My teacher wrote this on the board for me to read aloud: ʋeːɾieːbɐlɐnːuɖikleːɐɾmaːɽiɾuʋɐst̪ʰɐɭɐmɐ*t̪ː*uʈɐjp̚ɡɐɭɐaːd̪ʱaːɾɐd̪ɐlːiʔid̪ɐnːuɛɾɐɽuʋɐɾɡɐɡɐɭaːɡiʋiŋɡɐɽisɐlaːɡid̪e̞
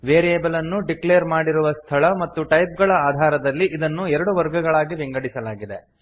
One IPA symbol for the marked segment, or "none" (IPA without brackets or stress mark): t̪ː